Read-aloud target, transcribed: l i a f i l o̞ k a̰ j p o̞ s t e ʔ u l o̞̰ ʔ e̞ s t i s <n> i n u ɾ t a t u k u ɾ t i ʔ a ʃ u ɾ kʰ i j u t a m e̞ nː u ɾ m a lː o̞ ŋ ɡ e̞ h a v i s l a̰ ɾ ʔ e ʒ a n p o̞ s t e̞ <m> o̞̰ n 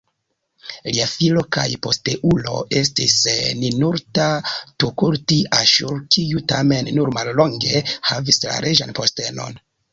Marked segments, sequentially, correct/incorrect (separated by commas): correct, incorrect